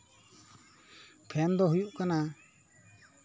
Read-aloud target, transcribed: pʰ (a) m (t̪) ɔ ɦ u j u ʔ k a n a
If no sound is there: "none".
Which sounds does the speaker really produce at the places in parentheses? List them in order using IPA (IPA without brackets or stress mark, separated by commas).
ɛ, d̪